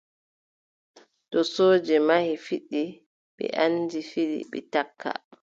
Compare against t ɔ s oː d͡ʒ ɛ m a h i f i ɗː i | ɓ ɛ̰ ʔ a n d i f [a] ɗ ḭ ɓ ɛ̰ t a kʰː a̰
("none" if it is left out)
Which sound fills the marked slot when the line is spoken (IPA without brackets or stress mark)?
i